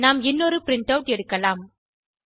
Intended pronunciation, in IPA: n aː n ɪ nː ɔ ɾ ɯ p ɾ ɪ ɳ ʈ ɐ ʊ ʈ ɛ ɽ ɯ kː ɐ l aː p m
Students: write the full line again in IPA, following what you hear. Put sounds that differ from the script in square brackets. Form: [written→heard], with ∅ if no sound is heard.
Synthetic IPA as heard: n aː [n→m] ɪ nː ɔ ɾ ɯ p ɾ ɪ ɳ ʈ ɐ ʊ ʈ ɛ ɽ ɯ kː ɐ l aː [p→∅] m